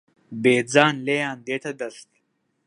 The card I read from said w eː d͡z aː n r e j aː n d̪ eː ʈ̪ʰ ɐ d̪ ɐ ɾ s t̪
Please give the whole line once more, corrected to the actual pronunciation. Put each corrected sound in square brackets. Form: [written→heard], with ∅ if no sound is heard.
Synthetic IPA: [w→b] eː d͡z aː n [r→l] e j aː n d̪ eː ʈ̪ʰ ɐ d̪ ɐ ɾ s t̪